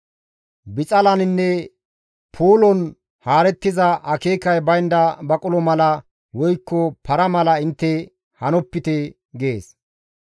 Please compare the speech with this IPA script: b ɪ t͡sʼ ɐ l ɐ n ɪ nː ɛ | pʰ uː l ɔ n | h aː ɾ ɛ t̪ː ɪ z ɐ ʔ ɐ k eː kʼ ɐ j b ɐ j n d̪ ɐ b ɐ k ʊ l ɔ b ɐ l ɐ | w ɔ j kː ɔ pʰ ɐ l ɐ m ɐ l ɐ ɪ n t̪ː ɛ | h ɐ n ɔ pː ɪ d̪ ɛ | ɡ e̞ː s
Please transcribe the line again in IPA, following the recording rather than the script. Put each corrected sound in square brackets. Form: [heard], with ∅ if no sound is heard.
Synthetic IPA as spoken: b ɪ t͡sʼ ɐ l ɐ n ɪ nː ɛ | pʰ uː l ɔ n | h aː ɾ ɛ t̪ː ɪ z ɐ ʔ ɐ k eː [k] ɐ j b ɐ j n d̪ ɐ b ɐ [kʼ] ʊ l ɔ [m] ɐ l ɐ | w ɔ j kː ɔ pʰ ɐ [ɾ] ɐ m ɐ l ɐ ɪ n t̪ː ɛ | h ɐ n ɔ pː ɪ [t̪] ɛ | ɡ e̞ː s